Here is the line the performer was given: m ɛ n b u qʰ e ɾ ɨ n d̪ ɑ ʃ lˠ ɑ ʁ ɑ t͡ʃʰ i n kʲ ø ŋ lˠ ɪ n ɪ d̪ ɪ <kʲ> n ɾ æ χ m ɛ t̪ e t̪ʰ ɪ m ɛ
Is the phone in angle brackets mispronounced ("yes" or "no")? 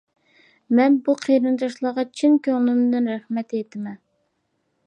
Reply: yes